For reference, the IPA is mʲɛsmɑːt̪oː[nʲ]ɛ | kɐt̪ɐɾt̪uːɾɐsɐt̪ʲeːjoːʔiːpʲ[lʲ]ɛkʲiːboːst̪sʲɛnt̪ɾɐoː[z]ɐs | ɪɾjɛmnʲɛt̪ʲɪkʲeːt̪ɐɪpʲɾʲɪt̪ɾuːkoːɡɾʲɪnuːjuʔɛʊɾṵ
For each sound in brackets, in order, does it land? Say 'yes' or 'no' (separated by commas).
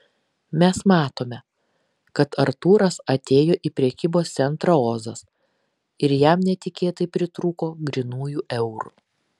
no, no, yes